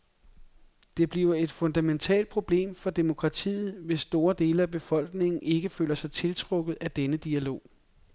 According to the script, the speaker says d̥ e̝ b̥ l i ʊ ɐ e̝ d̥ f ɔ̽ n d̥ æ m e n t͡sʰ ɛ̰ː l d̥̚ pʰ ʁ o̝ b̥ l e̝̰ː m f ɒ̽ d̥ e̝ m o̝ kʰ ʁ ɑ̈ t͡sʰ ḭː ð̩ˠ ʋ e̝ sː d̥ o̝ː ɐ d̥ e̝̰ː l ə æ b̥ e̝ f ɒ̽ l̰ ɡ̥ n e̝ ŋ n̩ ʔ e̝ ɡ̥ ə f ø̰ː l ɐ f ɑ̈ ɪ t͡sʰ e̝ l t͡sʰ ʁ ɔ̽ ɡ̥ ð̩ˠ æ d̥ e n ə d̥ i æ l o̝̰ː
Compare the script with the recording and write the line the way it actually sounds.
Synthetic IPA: d̥ e̝ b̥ l i ʊ ɐ e̝ d̥ f ɔ̽ n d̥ æ m e n t͡sʰ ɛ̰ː l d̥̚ pʰ ʁ o̝ b̥ l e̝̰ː m f ɒ̽ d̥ e̝ m o̝ kʰ ʁ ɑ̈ t͡sʰ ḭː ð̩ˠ ʋ e̝ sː d̥ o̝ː ɐ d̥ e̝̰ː l ə æ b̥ e̝ f ɒ̽ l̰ ɡ̥ n e̝ ŋ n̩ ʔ e̝ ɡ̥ ə f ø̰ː l ɐ s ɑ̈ ɪ t͡sʰ e̝ l t͡sʰ ʁ ɔ̽ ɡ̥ ð̩ˠ æ d̥ e n ə d̥ i æ l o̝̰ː